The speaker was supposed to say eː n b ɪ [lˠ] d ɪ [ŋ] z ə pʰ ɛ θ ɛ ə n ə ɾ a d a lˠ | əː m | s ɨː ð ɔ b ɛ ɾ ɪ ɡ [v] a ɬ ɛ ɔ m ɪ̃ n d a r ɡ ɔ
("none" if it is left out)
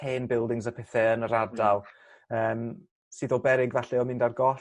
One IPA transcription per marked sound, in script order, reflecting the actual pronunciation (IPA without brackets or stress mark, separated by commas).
lˠ, ŋ, v